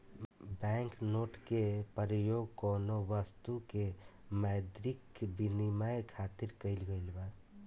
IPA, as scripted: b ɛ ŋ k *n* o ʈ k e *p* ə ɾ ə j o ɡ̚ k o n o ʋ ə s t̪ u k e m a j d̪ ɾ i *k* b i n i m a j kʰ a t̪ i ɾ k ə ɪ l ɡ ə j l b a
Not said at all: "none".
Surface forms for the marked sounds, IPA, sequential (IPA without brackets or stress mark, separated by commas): n, p, k